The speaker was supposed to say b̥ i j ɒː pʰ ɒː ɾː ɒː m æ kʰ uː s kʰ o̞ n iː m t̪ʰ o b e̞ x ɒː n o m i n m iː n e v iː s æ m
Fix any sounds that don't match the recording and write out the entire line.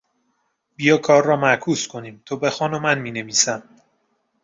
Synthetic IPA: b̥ i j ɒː kʰ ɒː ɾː ɒː m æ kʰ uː s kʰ o̞ n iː m t̪ʰ o b e̞ x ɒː n o m æ n m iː n e v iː s æ m

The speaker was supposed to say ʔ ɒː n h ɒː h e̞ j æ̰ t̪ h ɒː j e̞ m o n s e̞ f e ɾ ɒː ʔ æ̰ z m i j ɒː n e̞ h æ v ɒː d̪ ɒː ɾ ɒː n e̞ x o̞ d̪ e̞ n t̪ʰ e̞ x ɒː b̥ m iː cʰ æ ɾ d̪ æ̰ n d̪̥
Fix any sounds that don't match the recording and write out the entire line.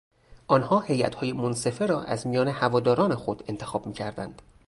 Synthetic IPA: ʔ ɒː n h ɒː h e̞ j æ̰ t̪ h ɒː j e̞ m o n s e̞ f e ɾ ɒː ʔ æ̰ z m i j ɒː n e̞ h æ v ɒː d̪ ɒː ɾ ɒː n e̞ x o̞ d̪ e̞ n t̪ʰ e̞ x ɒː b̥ m iː cʰ æ ɾ d̪ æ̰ n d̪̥

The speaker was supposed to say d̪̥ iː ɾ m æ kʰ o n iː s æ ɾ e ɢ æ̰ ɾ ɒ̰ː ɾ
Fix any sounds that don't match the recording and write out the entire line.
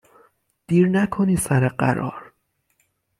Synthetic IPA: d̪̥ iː ɾ n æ kʰ o n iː s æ ɾ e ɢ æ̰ ɾ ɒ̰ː ɾ

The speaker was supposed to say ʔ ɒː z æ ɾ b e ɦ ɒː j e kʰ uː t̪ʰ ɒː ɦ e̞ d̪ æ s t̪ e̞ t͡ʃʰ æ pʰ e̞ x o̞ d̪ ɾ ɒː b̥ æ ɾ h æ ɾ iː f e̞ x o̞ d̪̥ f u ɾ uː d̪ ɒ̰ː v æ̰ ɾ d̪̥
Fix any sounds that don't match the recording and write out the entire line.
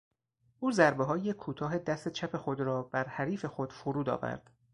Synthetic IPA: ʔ uː z æ ɾ b e ɦ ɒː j e kʰ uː t̪ʰ ɒː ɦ e̞ d̪ æ s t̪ e̞ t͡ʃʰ æ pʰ e̞ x o̞ d̪ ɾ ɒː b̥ æ ɾ h æ ɾ iː f e̞ x o̞ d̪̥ f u ɾ uː d̪ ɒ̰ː v æ̰ ɾ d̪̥

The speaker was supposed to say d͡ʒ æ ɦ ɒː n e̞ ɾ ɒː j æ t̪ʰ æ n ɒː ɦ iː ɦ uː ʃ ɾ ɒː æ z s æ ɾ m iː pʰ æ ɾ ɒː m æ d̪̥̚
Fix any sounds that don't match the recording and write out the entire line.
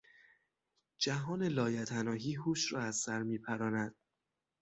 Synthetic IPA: d͡ʒ æ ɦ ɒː n e̞ l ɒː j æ t̪ʰ æ n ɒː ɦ iː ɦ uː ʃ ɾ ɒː æ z s æ ɾ m iː pʰ æ ɾ ɒː n æ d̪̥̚

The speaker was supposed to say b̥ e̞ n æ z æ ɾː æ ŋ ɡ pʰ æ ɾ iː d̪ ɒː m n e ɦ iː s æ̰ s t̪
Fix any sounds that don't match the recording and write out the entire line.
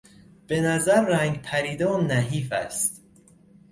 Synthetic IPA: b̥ e̞ n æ z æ ɾː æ ŋ ɡ pʰ æ ɾ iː d̪ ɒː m n æ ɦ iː f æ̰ s t̪

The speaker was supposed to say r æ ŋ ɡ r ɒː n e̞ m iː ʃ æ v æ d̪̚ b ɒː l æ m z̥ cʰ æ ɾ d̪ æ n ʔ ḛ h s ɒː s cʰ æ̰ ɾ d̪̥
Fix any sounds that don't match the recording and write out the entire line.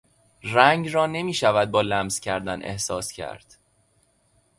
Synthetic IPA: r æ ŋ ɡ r ɒː n e̞ m iː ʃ æ v æ d̪̚ b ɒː l æ m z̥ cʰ æ ɾ d̪ æ n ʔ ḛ h s ɒː s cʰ æ̰ ɾ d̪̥

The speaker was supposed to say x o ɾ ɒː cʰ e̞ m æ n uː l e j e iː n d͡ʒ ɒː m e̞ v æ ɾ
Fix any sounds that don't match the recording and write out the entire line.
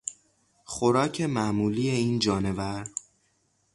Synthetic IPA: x o ɾ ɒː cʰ e̞ m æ m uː l i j e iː n d͡ʒ ɒː n e̞ v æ ɾ

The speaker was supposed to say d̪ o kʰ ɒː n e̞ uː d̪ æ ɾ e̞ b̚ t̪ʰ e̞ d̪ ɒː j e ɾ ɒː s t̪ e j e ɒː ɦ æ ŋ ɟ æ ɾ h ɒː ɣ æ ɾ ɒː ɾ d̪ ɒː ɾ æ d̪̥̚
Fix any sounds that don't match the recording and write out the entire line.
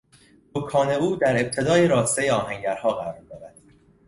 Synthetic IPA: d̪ o kʰ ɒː n e̞ uː d̪ æ ɾ e̞ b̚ t̪ʰ e̞ d̪ ɒː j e ɾ ɒː s t̪ e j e ɒː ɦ æ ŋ ɟ æ ɾ h ɒː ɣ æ ɾ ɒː ɾ d̪ ɒː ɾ æ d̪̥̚

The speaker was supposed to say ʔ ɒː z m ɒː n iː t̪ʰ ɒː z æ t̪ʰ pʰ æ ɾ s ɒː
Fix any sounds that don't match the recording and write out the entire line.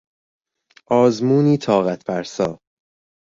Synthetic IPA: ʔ ɒː z m uː n iː t̪ʰ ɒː ɣ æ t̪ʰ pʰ æ ɾ s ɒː

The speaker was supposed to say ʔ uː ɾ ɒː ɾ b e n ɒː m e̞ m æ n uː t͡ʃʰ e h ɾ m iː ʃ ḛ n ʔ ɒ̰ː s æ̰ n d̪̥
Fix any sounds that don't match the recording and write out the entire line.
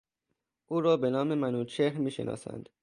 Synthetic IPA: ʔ uː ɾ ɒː b e n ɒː m e̞ m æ n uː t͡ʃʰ e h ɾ m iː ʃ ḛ n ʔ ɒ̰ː s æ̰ n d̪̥

